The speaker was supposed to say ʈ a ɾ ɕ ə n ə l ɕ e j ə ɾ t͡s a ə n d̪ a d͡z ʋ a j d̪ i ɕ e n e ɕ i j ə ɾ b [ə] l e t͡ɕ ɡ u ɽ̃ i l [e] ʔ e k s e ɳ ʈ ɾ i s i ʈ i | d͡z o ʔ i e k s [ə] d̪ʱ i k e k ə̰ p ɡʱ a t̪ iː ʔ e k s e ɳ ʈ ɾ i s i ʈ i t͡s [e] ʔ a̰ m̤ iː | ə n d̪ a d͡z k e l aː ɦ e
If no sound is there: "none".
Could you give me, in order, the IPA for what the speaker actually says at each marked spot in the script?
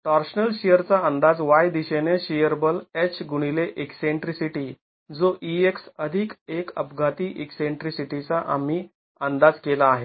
ə, e, ə, a

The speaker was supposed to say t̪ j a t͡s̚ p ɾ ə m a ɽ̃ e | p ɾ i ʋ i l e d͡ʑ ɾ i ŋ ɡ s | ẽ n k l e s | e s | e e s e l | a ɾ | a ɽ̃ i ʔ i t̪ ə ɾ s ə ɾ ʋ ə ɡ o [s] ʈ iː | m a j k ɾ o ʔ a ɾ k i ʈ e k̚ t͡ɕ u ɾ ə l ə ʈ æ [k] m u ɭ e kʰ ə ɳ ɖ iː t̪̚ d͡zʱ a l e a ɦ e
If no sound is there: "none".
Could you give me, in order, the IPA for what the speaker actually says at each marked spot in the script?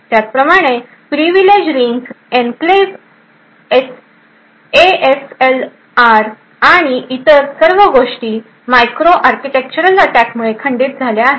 ʂ, k

